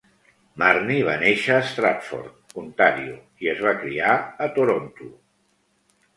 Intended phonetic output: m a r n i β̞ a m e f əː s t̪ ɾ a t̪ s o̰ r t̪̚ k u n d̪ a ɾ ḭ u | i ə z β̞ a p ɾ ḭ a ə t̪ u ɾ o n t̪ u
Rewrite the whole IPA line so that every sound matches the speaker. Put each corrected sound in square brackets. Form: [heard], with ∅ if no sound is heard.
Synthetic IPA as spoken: m a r n i β̞ a [n] e [ʃ] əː s t̪ ɾ a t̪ [f] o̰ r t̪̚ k u n [t̪] a ɾ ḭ u | i ə z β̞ a [k] ɾ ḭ a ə t̪ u ɾ o n t̪ u